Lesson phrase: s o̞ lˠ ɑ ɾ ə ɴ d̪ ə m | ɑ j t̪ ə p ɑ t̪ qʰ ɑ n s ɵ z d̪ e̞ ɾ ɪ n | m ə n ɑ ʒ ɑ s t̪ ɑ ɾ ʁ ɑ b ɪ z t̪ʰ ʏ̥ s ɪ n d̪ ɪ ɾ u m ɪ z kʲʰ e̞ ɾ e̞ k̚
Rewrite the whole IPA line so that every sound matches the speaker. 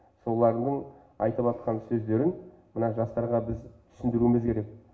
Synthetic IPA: s o̞ lˠ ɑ ɾ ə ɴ d̪ ə ɴ | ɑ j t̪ ə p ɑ t̪ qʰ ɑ n s ɵ z d̪ e̞ ɾ ɪ n | m ə n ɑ ʒ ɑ s t̪ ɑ ɾ ʁ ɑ b ɪ z t̪ʰ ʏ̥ s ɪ n d̪ ɪ ɾ u m ɪ z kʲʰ e̞ ɾ e̞ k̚